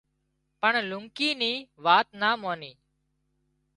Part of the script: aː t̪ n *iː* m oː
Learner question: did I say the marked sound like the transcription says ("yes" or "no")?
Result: no